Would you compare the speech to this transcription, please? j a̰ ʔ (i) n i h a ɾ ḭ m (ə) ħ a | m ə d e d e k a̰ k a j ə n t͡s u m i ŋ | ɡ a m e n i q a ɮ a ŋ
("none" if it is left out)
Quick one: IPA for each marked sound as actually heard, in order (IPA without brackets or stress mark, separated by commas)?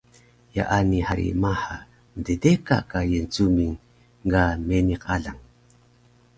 a, a